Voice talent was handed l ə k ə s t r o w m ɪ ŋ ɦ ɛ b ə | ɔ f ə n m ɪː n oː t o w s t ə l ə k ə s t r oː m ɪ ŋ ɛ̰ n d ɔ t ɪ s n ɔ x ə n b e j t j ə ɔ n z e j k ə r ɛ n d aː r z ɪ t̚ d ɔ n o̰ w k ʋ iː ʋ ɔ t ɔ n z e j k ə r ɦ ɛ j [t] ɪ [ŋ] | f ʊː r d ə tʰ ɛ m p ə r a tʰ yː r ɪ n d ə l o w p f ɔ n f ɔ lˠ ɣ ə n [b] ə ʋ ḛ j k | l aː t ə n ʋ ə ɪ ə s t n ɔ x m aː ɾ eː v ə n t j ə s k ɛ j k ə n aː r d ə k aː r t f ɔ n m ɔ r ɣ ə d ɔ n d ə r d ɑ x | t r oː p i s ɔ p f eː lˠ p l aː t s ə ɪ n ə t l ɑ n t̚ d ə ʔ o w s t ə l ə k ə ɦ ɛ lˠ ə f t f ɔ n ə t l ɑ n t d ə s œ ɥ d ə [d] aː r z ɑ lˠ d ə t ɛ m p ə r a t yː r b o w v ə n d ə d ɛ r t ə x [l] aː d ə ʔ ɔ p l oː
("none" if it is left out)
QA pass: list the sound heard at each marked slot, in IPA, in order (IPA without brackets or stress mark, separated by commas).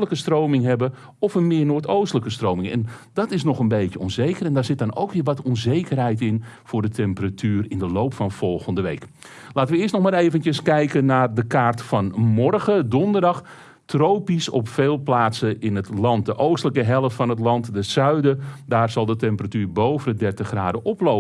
t, n, d, d, r